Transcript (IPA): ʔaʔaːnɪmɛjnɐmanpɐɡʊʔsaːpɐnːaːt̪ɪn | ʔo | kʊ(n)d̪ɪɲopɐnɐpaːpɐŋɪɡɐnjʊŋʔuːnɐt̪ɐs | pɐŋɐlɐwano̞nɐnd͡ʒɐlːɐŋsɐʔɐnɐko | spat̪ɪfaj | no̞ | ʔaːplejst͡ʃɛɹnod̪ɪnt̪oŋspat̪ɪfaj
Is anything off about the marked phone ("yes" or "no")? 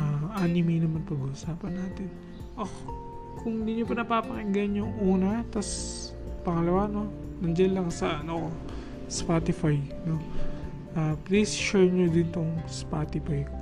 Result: yes